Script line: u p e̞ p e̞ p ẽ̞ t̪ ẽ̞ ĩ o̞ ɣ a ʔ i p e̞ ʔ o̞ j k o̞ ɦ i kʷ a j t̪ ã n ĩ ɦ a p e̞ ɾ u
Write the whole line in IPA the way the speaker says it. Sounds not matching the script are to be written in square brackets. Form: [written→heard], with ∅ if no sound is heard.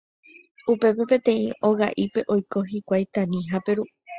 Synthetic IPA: u p e̞ p e̞ p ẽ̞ t̪ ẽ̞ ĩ o̞ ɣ a ʔ i p e̞ ʔ o̞ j k o̞ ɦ i kʷ a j t̪ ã n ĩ ɦ a p e̞ ɾ u